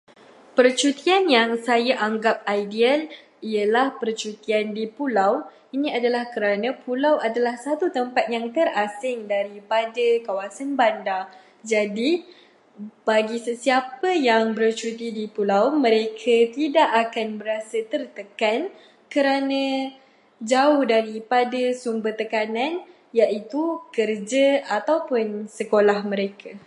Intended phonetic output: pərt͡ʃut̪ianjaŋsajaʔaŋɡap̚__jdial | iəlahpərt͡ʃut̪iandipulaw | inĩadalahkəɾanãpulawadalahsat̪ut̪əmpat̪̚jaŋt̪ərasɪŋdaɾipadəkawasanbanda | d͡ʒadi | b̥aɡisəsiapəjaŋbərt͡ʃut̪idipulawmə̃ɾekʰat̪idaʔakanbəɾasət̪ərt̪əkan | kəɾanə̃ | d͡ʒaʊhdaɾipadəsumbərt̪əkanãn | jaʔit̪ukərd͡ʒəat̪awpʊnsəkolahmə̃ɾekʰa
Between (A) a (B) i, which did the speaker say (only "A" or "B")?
A